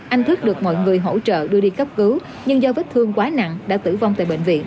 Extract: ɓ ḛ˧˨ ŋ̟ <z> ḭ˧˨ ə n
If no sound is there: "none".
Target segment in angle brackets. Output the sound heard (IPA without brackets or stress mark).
v